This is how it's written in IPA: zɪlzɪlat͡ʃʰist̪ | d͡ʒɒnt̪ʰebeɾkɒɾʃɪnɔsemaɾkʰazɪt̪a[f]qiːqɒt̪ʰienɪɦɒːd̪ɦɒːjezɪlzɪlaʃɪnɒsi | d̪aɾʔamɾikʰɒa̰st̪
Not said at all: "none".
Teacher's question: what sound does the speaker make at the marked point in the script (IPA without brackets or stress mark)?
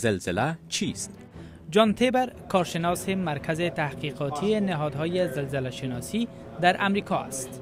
h